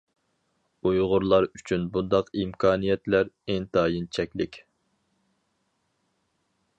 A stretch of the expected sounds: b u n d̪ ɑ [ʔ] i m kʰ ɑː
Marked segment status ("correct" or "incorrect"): incorrect